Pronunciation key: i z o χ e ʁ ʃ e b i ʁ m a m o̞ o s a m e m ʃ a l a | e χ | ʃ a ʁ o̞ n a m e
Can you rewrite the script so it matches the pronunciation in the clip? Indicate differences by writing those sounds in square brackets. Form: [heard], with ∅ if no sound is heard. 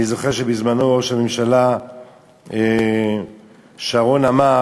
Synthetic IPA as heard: i z o χ e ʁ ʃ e b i [z] m a [n] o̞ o [ʃ] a m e m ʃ a l a | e [∅] | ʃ a ʁ o̞ n a m [a]